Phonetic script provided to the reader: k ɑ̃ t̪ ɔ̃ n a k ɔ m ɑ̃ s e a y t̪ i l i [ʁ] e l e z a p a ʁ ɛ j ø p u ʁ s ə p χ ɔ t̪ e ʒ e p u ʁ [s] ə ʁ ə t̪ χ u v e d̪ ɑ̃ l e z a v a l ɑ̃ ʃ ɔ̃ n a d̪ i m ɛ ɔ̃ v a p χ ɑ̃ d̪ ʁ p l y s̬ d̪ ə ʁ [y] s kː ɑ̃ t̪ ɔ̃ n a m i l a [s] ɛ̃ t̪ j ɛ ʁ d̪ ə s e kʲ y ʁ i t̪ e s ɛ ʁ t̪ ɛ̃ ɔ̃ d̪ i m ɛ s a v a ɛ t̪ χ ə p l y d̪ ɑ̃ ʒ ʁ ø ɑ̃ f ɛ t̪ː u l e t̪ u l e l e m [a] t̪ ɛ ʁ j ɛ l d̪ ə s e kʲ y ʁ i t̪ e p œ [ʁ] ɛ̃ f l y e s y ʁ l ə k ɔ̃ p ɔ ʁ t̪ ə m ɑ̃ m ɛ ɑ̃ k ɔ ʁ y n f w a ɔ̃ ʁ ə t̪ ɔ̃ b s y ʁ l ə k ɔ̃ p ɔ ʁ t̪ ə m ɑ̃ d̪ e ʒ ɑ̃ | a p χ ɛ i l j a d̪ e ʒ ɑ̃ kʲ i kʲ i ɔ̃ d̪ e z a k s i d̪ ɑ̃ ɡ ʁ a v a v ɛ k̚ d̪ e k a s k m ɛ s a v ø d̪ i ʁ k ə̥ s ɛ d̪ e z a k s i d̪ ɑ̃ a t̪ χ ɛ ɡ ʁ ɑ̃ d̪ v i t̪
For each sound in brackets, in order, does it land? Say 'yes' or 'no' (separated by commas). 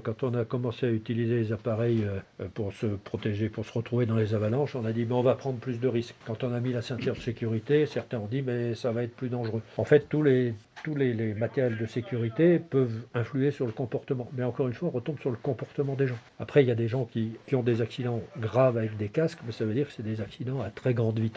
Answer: no, yes, no, yes, yes, no